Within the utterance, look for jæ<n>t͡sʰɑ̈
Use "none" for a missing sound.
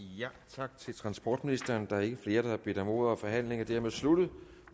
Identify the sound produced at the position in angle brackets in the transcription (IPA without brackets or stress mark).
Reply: none